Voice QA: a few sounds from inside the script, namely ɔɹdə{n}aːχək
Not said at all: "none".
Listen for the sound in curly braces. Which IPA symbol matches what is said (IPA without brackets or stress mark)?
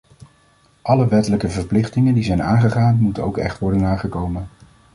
n